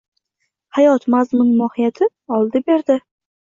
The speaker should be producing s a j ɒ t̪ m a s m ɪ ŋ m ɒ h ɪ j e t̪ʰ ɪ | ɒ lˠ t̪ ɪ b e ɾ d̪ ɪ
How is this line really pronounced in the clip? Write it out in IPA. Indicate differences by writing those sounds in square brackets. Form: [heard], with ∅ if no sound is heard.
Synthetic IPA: [h] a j ɒ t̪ m a [z] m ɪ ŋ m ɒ h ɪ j [a] t̪ʰ ɪ | ɒ lˠ [d̪] ɪ b e ɾ d̪ ɪ